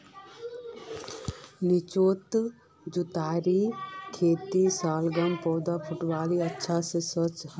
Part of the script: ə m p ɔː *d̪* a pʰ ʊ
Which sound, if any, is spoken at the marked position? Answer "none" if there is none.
d̪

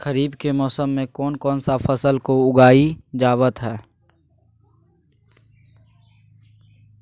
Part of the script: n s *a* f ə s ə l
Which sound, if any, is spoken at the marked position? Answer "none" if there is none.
a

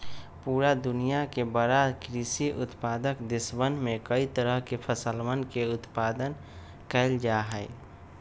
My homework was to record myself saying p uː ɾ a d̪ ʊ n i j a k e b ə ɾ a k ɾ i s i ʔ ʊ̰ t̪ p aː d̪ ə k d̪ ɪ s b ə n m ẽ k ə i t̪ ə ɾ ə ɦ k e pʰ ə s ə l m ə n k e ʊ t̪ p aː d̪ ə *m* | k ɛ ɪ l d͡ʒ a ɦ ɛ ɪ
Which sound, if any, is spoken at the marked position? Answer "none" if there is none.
n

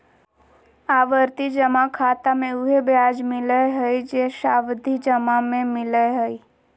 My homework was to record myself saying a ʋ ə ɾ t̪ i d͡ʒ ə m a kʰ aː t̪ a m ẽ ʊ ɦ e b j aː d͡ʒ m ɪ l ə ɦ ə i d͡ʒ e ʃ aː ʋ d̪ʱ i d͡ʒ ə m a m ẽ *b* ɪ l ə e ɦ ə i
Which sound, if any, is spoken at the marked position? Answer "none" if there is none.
m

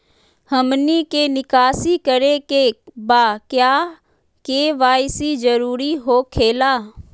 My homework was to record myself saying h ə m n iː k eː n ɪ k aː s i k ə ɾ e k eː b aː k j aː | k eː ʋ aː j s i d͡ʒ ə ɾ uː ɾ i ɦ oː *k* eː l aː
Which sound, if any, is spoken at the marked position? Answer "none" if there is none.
kʰ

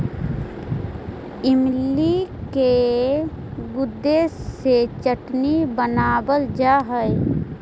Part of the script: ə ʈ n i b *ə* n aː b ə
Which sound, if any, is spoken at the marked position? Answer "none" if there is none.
ə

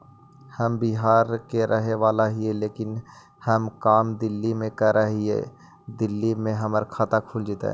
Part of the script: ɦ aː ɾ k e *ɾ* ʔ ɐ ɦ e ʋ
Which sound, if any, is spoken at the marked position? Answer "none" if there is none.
ɾ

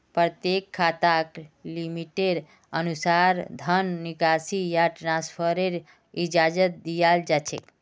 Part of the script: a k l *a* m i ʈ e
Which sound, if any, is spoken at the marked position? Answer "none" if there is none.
i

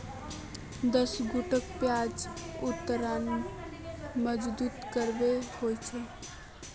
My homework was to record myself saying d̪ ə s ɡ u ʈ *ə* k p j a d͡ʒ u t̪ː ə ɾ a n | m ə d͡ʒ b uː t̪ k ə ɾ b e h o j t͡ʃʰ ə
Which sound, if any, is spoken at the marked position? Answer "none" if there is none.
ə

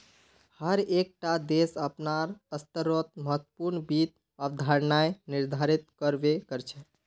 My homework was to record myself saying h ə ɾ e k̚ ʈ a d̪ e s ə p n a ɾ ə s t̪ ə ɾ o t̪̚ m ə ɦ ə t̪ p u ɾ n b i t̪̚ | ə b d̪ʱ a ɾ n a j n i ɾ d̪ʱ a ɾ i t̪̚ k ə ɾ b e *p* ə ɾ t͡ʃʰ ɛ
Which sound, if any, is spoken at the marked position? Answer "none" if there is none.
k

